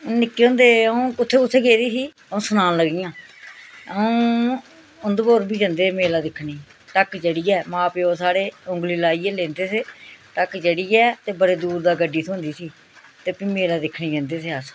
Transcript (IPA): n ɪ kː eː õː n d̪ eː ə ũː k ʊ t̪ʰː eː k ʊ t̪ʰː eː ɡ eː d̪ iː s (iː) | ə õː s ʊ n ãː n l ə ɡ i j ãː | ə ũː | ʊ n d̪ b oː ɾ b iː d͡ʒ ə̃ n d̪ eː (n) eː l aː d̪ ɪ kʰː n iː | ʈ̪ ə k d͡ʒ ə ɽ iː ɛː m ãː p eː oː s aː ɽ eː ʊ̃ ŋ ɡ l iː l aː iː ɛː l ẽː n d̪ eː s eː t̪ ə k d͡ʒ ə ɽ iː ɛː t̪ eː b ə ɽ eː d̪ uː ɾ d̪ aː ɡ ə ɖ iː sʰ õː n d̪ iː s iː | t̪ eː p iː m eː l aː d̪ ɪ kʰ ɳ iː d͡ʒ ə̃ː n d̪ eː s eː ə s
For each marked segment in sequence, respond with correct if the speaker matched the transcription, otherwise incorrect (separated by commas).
correct, incorrect